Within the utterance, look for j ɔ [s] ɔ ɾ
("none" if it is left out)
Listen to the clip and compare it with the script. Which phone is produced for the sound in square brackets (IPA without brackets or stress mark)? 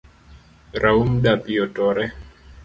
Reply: t